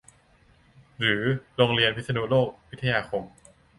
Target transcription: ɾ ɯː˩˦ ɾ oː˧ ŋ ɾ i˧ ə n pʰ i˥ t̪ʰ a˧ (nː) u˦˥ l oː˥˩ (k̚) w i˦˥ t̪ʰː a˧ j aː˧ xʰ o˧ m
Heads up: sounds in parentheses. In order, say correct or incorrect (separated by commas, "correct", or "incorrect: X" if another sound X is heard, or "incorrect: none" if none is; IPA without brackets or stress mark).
incorrect: n, correct